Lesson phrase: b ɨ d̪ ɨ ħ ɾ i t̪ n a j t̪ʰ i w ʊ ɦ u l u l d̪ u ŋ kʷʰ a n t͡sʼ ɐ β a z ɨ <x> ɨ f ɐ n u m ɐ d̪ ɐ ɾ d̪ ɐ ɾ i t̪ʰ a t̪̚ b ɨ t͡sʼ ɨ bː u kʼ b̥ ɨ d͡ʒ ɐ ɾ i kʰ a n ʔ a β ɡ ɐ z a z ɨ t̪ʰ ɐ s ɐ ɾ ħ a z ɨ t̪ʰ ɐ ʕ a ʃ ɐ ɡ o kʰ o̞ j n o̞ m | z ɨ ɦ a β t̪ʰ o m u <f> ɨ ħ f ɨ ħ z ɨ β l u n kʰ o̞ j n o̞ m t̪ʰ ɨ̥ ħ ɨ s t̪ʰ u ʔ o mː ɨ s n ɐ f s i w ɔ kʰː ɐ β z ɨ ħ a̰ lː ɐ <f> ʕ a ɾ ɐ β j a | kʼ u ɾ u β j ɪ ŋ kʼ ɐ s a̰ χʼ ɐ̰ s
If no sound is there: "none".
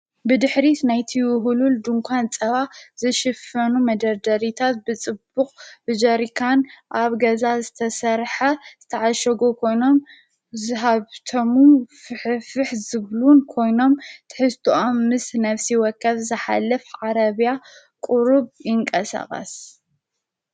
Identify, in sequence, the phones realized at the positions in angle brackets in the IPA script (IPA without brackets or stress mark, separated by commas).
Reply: ʃ, f, f